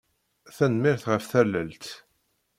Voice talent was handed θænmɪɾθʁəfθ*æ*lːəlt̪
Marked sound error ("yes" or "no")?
no